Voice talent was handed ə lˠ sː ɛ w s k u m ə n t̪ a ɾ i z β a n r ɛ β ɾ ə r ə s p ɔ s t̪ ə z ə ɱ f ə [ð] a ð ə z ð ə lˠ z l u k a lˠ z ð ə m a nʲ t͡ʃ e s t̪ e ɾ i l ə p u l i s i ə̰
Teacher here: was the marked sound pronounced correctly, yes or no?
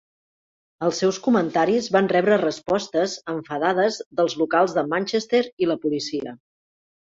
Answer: yes